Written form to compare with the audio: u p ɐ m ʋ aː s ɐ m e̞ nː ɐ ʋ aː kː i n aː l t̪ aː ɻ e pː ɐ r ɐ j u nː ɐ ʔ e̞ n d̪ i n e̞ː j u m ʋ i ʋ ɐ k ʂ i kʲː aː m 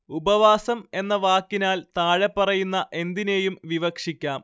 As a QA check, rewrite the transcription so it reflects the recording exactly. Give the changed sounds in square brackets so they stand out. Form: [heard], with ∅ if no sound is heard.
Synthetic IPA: u [b] ɐ [∅] ʋ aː s ɐ m e̞ nː ɐ ʋ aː kː i n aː l t̪ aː ɻ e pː ɐ r ɐ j u nː ɐ ʔ e̞ n d̪ i n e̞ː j u m ʋ i ʋ ɐ k ʂ i kʲː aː m